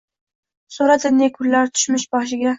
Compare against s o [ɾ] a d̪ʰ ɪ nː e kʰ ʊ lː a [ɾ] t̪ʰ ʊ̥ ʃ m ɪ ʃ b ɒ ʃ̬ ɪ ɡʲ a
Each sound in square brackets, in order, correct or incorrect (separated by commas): correct, correct